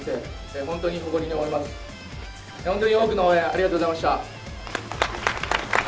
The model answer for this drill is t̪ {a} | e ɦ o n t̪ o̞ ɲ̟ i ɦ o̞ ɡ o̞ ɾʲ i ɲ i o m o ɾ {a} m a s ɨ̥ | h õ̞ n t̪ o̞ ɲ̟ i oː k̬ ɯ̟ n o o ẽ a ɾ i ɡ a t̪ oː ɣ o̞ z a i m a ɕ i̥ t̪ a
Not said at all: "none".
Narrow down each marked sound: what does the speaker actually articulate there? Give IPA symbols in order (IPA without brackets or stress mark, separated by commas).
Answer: e, i